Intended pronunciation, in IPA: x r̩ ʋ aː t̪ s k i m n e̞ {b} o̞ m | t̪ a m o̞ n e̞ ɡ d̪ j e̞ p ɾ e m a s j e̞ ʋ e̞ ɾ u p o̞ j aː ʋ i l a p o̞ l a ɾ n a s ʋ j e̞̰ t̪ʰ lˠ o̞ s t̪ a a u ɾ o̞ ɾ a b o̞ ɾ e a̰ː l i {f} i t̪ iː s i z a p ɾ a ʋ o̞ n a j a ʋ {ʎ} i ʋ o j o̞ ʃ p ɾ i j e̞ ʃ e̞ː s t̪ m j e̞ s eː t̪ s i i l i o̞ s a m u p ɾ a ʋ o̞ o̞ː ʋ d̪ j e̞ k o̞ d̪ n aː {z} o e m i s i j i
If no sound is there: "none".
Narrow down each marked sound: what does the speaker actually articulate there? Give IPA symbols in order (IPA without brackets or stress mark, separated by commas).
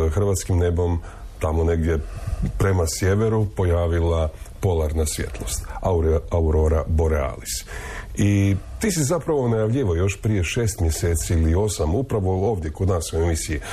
b, s, ʎ, s